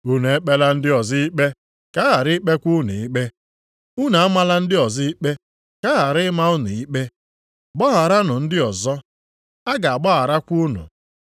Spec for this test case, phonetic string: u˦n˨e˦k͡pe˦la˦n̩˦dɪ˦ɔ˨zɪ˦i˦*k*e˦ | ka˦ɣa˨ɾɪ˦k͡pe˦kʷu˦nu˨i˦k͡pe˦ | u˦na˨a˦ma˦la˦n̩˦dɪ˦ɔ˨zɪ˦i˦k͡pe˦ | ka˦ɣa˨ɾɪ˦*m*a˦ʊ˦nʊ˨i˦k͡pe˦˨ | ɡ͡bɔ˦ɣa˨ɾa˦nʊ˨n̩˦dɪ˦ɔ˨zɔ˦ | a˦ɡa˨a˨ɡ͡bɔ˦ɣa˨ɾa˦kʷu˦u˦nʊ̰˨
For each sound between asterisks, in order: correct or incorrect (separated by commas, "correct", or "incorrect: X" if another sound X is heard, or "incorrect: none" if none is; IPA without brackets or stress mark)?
incorrect: k͡p, correct